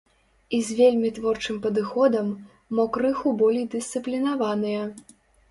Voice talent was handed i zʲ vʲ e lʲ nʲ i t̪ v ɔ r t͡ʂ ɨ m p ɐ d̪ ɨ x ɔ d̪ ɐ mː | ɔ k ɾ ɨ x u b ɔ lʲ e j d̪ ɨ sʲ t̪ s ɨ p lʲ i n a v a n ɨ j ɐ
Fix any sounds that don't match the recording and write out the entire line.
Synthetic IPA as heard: i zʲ vʲ e lʲ mʲ i t̪ v ɔ r t͡ʂ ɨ m p ɐ d̪ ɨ x ɔ d̪ ɐ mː | ɔ k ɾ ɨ x u b ɔ lʲ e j d̪ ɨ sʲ t̪ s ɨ p lʲ i n a v a n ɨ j ɐ